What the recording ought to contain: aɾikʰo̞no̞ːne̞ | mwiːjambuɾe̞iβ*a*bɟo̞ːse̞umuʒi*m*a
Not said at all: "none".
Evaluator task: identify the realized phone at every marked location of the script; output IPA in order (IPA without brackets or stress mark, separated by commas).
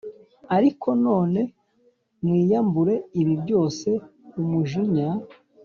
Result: i, ɲ